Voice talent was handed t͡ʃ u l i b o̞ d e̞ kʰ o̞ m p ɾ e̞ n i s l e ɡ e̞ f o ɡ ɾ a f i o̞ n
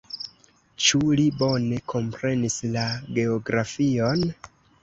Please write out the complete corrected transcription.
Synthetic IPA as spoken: t͡ʃ u l i b o̞ n e̞ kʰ o̞ m p ɾ e̞ n i s l a ɡ e̞ o ɡ ɾ a f i o̞ n